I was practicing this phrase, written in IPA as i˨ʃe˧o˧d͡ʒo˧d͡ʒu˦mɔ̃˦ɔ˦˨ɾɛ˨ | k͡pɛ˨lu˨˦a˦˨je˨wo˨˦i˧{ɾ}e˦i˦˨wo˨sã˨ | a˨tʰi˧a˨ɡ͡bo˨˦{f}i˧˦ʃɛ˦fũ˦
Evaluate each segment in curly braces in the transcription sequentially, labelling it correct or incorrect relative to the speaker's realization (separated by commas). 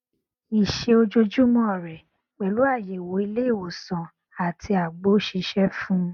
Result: incorrect, incorrect